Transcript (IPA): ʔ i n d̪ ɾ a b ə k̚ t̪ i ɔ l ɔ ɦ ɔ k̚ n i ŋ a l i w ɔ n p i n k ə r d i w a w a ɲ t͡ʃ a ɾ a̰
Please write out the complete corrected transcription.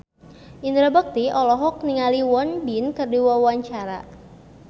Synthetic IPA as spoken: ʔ i n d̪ ɾ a b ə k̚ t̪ i ɔ l ɔ ɦ ɔ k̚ n i ŋ a l i w ɔ n b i n k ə r d i w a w a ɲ t͡ʃ a ɾ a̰